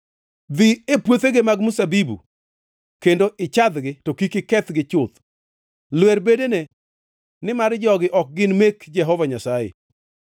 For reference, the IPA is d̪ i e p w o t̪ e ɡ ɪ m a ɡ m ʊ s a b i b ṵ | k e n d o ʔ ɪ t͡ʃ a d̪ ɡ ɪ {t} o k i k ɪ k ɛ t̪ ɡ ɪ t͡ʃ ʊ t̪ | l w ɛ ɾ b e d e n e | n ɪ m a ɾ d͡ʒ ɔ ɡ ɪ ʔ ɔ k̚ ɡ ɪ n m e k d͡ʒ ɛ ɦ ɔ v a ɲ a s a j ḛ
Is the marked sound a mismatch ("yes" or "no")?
no